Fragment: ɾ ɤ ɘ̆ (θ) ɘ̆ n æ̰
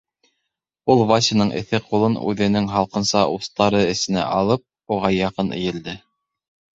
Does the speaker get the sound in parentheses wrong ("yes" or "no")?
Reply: yes